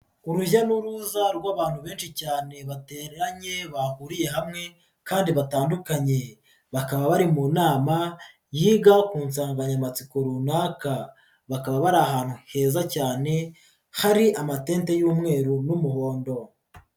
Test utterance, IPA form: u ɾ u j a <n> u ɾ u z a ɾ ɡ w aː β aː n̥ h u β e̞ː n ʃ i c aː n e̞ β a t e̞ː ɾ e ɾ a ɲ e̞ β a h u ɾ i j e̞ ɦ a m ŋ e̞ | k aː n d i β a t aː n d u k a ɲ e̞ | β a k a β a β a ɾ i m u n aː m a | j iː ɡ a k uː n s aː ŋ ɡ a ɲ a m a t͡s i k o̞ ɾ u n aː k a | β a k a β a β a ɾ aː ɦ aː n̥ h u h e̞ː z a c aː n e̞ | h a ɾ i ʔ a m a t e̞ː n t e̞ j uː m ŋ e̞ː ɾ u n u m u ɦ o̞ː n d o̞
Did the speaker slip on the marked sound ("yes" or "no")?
no